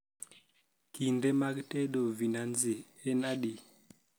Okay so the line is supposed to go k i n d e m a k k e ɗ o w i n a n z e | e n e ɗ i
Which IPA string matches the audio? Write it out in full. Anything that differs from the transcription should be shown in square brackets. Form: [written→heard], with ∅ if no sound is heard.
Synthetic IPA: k i n d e m a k [k→t] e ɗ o [w→v] i n a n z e | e n [e→a] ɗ i